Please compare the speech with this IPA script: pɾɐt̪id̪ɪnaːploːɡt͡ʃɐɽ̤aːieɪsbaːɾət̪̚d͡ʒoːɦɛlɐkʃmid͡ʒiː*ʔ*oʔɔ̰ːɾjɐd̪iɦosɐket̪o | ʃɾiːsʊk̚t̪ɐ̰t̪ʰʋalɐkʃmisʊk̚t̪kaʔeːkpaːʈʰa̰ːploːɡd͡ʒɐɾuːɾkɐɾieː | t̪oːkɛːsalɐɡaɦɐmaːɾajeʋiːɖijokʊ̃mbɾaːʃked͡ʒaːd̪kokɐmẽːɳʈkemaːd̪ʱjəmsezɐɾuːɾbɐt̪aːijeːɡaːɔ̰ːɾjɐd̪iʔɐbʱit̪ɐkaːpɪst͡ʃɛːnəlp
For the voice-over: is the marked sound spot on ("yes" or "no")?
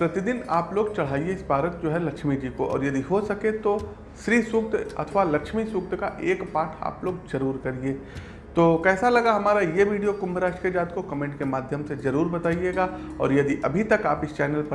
no